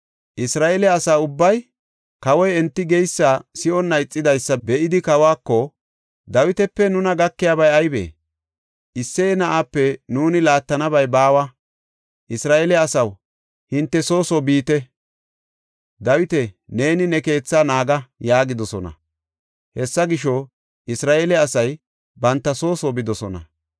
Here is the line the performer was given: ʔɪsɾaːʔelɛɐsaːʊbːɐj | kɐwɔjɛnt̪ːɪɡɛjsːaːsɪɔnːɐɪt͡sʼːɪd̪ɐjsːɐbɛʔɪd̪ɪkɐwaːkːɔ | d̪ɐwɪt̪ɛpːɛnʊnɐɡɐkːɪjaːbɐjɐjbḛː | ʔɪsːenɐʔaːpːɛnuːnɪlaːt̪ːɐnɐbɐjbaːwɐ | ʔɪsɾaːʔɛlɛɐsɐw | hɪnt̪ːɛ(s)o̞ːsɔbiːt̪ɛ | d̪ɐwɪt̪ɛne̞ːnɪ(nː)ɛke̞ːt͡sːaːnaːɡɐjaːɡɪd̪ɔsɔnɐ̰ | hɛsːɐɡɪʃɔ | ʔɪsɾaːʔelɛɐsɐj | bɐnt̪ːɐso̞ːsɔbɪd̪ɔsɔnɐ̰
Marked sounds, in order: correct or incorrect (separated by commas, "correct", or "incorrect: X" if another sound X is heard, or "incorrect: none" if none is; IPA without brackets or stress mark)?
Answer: correct, incorrect: n